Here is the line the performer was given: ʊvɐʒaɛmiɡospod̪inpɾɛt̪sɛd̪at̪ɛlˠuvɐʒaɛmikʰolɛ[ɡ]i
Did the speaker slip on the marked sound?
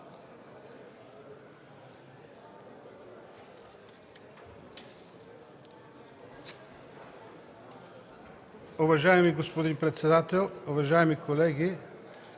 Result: no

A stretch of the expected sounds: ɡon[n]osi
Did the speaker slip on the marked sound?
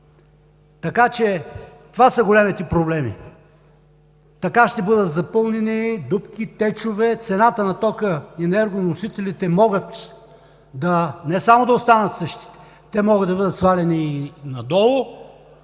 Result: no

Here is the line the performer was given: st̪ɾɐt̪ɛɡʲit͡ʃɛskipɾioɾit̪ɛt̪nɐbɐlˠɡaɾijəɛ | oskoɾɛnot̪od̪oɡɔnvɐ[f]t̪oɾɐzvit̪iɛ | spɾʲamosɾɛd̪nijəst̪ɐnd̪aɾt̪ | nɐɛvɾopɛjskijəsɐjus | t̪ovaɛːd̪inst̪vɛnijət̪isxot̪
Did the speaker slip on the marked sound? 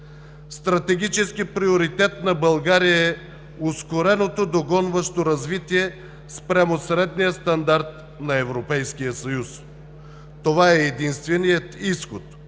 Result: yes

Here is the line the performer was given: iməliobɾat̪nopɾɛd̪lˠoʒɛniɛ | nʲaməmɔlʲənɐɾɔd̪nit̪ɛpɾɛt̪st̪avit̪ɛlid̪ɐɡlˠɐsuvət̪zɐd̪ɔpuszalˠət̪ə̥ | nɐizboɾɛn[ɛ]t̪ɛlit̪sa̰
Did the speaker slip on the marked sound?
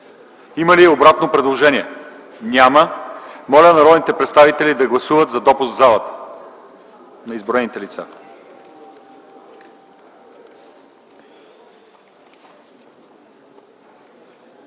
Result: yes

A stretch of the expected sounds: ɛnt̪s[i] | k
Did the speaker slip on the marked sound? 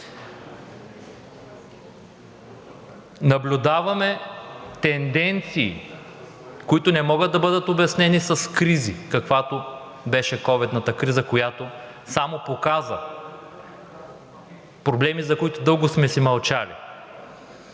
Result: yes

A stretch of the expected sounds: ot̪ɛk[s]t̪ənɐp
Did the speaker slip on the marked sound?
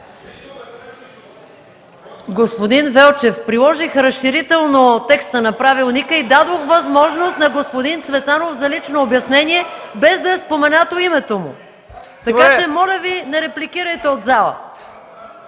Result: no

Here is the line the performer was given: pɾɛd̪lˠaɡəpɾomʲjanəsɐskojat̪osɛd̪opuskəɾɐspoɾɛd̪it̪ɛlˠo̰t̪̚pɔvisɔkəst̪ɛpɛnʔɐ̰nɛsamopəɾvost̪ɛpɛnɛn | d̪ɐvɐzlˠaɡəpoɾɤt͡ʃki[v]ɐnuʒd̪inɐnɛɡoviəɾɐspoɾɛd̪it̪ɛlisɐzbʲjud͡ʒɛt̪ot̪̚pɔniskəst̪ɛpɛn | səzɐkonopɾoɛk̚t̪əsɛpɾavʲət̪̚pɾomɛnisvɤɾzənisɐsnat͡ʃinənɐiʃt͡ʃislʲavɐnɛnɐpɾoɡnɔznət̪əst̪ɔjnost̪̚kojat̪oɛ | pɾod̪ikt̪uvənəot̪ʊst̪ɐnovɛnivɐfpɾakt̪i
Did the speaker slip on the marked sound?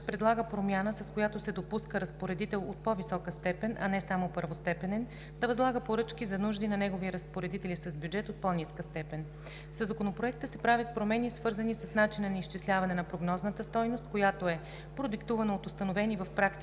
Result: yes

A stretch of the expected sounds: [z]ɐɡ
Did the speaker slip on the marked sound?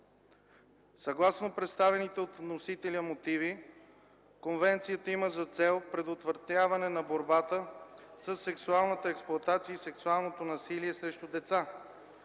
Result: yes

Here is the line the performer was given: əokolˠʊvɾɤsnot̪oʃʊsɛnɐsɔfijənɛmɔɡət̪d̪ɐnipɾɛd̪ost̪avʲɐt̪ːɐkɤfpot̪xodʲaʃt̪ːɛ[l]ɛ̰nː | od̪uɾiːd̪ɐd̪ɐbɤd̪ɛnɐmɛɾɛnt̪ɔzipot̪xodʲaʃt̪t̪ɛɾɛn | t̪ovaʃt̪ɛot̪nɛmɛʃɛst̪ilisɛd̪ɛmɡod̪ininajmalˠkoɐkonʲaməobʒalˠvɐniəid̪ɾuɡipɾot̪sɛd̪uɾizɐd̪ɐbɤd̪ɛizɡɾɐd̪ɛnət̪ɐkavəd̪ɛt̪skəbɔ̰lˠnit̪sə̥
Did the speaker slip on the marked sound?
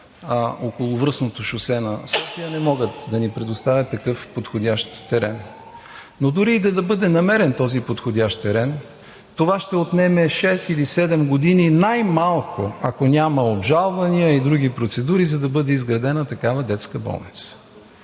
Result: yes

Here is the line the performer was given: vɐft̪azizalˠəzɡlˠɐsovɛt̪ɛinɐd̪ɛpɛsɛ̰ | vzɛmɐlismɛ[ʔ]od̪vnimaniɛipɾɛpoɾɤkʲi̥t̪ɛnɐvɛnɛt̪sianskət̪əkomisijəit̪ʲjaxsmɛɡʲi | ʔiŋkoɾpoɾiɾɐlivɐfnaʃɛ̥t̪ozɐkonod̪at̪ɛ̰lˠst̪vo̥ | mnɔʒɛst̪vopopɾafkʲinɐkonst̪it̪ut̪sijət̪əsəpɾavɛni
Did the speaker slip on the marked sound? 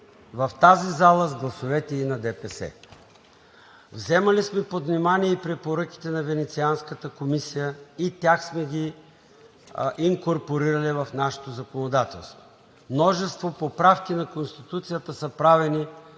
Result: yes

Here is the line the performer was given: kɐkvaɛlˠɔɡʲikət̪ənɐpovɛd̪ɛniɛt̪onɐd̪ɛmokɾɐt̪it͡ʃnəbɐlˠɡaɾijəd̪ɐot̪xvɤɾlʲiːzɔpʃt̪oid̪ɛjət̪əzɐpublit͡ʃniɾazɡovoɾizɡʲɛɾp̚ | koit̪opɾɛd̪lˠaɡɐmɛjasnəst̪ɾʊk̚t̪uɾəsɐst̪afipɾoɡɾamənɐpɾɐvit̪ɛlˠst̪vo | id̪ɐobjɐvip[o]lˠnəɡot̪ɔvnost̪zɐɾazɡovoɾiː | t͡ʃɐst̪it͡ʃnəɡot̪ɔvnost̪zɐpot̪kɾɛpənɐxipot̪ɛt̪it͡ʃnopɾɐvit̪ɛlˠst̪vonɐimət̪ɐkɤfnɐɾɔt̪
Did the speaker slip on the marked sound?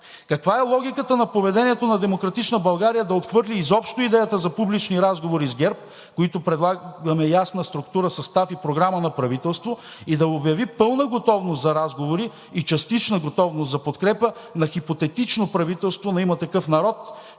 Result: yes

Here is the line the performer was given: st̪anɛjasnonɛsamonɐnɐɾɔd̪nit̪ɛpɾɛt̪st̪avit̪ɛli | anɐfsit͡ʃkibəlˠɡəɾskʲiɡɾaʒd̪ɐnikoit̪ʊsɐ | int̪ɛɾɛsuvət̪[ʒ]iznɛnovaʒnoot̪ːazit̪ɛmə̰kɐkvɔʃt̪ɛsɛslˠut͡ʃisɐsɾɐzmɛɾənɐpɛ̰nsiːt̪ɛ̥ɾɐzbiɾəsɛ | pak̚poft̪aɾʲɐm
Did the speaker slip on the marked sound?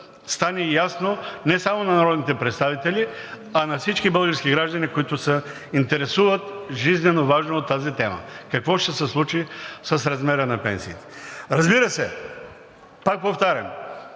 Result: no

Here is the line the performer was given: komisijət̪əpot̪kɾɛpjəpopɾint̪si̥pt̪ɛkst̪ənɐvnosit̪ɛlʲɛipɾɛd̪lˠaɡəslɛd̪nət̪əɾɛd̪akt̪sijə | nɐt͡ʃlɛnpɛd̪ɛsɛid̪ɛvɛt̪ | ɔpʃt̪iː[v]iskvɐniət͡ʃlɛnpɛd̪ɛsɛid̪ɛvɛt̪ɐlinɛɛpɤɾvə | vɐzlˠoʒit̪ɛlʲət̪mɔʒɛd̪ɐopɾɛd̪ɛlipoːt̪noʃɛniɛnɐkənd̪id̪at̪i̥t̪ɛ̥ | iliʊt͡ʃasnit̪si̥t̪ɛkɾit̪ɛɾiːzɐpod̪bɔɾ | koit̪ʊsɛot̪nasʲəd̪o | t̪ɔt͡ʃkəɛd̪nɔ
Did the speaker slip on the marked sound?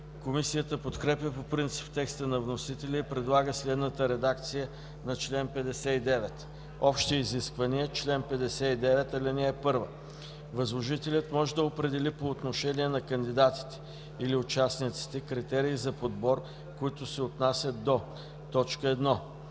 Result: yes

